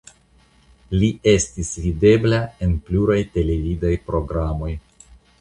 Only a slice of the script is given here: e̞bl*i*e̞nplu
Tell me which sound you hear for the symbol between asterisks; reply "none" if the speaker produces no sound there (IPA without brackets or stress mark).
a